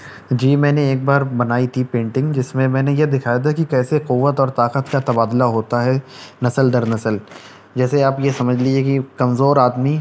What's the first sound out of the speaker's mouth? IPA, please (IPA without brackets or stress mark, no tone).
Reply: d͡ʒ